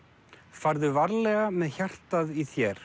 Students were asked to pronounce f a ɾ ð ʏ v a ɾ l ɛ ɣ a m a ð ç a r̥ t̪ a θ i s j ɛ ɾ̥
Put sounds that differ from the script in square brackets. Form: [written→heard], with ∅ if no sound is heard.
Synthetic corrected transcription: f a ɾ ð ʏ v a ɾ l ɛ ɣ a m [a→ɛ] ð ç a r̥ t̪ a [θ→ð] i [s→θ] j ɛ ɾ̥